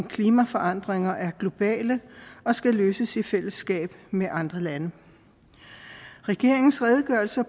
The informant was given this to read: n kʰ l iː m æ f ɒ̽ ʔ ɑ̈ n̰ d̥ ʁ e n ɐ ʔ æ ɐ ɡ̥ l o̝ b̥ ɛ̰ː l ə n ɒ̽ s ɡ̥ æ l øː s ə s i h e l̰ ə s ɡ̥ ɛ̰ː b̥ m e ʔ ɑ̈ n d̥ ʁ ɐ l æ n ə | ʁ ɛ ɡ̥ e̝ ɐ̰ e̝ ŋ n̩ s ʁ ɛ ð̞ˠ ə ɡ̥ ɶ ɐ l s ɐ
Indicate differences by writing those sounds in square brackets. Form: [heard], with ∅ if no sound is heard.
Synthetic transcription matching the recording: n kʰ l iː m æ f ɒ̽ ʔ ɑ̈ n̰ d̥ ʁ e [ŋ] ɐ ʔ æ ɐ ɡ̥ l o̝ b̥ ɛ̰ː l ə [∅] ɒ̽ s ɡ̥ æ l øː s ə s i [f] e l̰ ə s ɡ̥ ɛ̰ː b̥ m e ʔ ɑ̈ n d̥ ʁ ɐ l æ n ə | ʁ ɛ ɡ̥ e̝ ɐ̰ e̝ ŋ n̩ s ʁ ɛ ð̞ˠ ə ɡ̥ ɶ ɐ l s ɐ